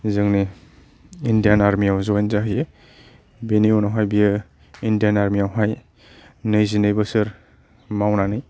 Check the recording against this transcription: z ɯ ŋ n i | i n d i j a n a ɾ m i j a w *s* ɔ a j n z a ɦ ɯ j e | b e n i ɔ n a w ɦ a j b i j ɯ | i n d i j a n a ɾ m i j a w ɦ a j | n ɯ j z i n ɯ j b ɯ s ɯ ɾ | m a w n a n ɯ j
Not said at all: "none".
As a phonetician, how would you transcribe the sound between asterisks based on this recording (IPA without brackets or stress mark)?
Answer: z